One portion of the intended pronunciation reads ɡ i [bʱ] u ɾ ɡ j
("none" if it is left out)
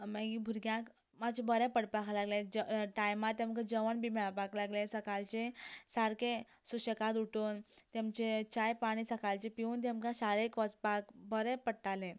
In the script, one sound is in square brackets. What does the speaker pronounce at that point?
bʱ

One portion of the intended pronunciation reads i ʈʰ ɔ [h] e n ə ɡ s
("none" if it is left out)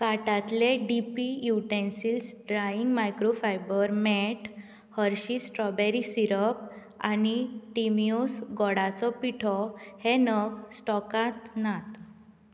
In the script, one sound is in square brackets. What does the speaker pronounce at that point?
h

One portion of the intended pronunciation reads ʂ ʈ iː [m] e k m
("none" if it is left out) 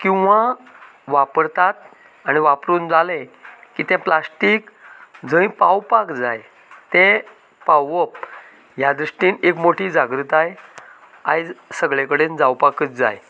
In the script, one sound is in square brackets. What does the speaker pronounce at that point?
n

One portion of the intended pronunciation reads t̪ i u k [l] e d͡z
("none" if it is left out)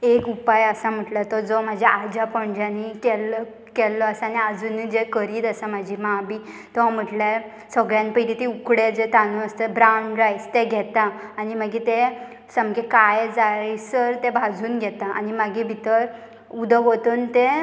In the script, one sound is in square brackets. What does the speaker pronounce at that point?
ɽ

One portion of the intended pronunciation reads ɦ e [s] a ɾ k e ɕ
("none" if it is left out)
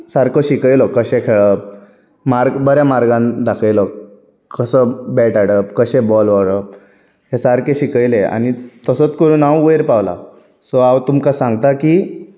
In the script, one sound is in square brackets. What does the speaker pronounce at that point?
s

